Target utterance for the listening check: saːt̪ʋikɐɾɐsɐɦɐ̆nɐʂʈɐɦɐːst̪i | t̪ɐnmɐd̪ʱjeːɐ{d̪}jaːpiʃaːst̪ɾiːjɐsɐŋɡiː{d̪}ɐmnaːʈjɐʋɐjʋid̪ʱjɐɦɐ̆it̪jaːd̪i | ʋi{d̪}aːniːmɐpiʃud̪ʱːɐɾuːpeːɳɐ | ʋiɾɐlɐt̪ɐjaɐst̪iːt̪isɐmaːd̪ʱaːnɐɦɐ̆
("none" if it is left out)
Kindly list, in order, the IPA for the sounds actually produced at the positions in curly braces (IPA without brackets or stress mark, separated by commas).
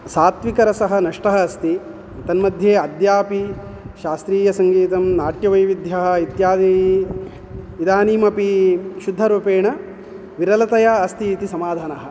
d̪, t̪, d̪